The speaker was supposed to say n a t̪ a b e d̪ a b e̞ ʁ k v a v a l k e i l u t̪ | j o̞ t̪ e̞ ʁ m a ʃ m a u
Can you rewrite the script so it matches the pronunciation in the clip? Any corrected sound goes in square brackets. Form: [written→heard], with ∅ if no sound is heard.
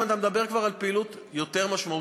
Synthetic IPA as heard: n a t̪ a [b→m] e d̪ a b e̞ ʁ k v a [v→ʁ] a l [k→p] e i l u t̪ | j o̞ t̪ e̞ ʁ m a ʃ m a u

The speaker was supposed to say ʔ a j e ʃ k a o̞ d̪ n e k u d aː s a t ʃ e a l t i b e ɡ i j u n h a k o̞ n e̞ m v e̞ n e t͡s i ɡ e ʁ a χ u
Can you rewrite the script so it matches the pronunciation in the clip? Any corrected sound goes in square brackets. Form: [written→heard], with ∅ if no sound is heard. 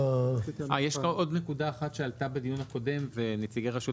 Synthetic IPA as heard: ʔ a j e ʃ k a o̞ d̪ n e k u d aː [s→χ] a t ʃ e a l t [i→a] b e [ɡ→d] i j u n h a k o̞ [n→d] e̞ m v e̞ n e t͡s i ɡ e ʁ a [χ→ʃ] u

